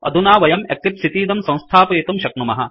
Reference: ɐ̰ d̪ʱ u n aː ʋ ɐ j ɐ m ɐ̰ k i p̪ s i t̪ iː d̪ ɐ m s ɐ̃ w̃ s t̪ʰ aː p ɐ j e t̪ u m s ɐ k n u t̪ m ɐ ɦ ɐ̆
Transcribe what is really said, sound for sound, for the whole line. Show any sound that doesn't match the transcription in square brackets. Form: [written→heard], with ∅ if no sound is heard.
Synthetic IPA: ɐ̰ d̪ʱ u n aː ʋ ɐ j ɐ m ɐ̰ k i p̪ s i t̪ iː d̪ ɐ m s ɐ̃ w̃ s t̪ʰ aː p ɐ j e t̪ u m [s→ʃ] ɐ k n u [t̪→∅] m ɐ ɦ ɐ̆